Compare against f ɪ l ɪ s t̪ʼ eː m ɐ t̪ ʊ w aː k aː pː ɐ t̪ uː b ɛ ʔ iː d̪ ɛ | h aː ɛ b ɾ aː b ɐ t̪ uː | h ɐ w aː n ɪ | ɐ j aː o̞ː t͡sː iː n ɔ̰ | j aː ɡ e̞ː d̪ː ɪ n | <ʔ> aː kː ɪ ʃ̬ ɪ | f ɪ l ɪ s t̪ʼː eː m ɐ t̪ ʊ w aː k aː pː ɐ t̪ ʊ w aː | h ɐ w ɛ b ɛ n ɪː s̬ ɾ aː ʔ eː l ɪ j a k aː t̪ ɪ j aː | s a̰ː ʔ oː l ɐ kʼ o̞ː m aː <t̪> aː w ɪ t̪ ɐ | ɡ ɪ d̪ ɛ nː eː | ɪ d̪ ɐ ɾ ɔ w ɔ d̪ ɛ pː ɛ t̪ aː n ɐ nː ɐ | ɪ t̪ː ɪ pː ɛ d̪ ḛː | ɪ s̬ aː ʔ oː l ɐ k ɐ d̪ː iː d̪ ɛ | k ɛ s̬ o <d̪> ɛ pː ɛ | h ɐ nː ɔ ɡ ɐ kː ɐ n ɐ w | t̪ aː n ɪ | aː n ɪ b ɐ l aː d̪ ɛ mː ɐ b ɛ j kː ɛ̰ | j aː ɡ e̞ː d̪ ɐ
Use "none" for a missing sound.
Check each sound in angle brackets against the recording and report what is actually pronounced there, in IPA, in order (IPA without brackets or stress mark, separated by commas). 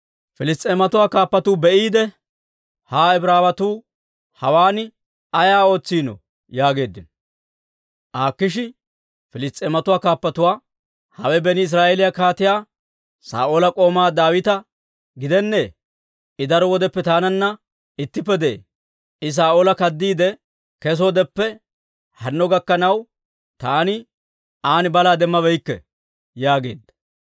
ʔ, d̪, d̪